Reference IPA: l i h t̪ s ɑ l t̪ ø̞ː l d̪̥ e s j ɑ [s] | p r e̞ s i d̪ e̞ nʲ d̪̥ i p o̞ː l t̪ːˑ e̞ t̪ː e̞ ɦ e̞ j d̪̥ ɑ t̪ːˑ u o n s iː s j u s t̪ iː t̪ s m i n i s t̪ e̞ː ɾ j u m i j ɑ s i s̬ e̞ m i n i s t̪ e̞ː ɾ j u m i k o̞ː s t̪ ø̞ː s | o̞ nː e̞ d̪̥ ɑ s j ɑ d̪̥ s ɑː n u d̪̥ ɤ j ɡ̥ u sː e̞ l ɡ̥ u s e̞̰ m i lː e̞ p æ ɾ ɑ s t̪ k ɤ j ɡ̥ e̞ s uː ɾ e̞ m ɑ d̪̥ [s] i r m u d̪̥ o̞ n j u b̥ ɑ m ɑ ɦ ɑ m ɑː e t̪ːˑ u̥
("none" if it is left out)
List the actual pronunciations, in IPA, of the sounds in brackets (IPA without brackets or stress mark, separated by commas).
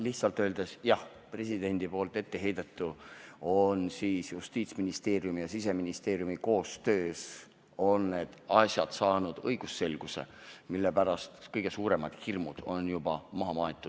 h, h